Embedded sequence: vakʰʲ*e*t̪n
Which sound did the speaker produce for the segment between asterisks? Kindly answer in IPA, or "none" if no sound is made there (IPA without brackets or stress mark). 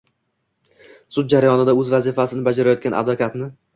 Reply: a